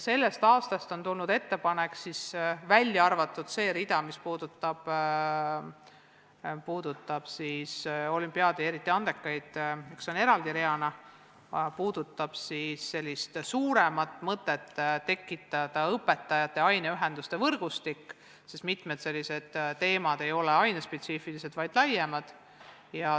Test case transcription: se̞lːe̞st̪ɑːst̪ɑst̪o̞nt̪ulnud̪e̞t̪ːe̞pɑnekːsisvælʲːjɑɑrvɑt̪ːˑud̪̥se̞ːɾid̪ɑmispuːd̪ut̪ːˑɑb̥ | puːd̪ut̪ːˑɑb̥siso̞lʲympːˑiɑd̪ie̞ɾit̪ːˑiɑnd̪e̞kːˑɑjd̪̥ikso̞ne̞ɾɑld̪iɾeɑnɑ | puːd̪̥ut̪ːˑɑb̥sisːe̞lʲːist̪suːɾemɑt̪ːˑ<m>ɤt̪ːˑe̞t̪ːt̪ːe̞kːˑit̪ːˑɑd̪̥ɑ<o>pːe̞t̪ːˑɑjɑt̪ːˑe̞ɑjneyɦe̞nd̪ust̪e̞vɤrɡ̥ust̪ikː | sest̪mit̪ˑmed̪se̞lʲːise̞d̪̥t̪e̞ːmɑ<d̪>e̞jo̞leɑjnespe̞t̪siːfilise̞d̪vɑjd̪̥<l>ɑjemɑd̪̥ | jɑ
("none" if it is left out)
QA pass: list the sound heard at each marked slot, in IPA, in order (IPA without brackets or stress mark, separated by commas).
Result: m, ɤ, d̪, l